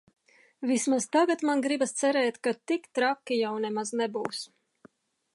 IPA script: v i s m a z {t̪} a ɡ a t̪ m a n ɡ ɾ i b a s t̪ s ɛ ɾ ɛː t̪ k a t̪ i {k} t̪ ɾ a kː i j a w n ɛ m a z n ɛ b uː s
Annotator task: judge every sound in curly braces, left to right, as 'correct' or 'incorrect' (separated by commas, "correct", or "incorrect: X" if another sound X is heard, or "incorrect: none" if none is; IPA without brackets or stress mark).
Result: correct, correct